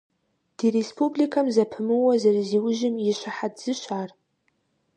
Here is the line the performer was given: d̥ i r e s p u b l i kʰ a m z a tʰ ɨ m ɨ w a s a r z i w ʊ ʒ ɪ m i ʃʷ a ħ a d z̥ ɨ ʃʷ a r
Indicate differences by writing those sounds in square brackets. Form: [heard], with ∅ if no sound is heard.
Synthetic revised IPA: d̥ i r e s p u b l i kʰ a m z a [pʰ] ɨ m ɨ w a [z] a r z i w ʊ ʒ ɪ m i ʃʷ a ħ a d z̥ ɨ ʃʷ a r